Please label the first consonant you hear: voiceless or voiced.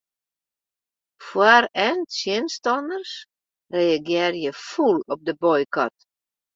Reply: voiceless